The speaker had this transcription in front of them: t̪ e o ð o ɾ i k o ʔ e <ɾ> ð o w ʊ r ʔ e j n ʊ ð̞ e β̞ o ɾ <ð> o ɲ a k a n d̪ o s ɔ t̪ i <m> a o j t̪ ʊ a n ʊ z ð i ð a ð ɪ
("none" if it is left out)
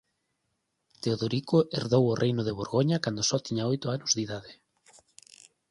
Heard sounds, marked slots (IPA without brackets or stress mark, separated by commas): ɾ, ɣ, ɲ